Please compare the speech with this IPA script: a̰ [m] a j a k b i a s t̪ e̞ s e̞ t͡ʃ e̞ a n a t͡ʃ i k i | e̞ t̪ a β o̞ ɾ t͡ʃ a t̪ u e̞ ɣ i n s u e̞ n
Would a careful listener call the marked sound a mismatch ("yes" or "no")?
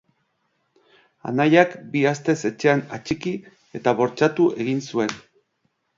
yes